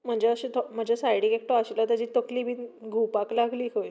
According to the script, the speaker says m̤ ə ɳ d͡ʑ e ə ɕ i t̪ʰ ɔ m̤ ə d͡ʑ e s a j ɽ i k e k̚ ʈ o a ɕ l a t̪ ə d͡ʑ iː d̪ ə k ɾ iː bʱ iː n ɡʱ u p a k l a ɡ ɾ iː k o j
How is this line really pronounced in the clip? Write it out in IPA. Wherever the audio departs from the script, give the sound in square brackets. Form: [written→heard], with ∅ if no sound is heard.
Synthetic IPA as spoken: m̤ ə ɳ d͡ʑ e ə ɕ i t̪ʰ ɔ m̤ ə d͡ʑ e s a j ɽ i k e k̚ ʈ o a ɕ l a t̪ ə d͡ʑ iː [d̪→t̪] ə k [ɾ→l] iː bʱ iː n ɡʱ u p a k l a ɡ [ɾ→l] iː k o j